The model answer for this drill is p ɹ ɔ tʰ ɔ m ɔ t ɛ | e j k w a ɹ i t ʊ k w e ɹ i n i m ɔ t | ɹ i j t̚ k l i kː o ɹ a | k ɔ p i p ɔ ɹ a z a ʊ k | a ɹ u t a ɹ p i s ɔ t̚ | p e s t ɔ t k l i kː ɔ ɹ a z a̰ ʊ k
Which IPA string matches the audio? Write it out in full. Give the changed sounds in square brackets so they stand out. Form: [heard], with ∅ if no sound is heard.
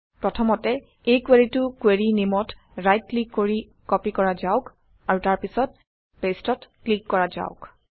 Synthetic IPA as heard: p ɹ ɔ tʰ ɔ m ɔ t ɛ | e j k w [e] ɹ i t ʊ k w e ɹ i n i m ɔ t | ɹ [a] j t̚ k l i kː o ɹ [i] | k ɔ p i [k] ɔ ɹ a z a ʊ k | a ɹ u t a ɹ p i s ɔ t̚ | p e s t ɔ t k l i kː ɔ ɹ a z a̰ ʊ k